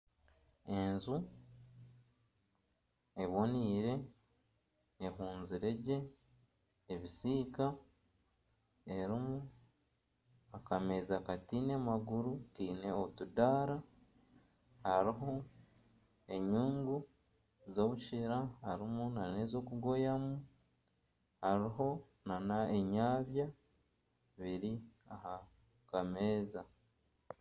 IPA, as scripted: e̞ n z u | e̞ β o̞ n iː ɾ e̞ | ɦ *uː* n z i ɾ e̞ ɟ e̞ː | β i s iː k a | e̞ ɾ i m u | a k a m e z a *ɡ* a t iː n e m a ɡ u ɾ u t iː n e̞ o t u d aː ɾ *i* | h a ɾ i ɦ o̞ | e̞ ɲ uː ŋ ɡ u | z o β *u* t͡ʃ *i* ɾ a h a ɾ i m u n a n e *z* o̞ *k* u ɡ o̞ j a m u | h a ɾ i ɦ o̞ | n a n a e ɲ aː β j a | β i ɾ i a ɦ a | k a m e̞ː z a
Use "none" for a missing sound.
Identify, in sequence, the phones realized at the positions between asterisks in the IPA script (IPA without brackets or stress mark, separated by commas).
uː, k, a, u, i, z, k